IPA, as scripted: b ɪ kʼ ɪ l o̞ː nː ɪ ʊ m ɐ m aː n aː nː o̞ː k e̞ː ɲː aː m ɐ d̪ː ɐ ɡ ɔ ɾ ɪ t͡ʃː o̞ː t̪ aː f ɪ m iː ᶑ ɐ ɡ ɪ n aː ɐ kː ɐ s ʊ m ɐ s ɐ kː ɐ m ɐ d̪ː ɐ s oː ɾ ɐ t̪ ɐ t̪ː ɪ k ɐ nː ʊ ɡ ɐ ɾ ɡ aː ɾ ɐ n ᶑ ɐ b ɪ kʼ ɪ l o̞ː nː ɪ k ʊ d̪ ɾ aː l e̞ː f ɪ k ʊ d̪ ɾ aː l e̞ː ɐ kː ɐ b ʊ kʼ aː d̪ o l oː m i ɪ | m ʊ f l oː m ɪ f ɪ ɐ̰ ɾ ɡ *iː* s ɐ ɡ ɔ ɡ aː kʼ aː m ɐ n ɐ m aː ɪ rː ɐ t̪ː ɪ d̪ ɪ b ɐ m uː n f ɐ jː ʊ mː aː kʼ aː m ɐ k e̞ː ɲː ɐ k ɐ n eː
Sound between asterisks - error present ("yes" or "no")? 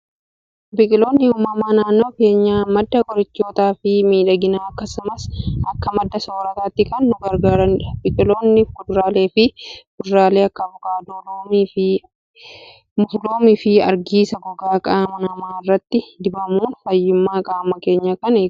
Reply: no